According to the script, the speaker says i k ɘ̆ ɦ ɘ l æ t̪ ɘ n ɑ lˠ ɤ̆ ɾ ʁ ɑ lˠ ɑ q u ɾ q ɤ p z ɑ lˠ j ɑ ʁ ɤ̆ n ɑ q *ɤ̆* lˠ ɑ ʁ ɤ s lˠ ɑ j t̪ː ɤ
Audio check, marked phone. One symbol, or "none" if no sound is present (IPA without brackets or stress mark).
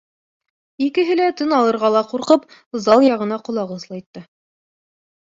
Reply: ŏ